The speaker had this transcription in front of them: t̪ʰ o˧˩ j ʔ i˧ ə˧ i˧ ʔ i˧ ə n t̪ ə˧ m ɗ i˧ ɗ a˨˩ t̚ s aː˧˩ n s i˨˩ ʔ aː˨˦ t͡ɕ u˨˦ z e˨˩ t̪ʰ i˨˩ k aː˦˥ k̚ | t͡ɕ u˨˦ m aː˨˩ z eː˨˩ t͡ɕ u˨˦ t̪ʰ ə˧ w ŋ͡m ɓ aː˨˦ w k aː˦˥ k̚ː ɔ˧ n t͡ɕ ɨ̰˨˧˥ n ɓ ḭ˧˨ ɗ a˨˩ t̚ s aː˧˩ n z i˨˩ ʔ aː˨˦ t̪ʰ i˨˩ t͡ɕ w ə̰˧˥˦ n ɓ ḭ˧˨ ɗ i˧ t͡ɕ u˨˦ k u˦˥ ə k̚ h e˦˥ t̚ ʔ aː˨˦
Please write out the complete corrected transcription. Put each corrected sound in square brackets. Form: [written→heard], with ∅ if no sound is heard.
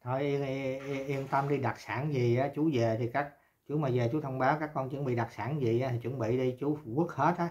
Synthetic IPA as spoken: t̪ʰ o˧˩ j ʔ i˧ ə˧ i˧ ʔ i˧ ə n t̪ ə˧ m ɗ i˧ ɗ a˨˩ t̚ s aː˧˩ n [s→z] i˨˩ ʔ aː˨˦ t͡ɕ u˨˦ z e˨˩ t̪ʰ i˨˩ k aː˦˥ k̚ | t͡ɕ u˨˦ m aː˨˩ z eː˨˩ t͡ɕ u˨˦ t̪ʰ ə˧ w ŋ͡m ɓ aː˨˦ w k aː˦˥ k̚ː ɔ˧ n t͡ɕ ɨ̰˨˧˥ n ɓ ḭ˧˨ ɗ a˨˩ t̚ s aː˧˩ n z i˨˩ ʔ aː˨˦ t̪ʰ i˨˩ t͡ɕ w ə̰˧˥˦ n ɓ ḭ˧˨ ɗ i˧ t͡ɕ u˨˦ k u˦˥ ə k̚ h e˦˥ t̚ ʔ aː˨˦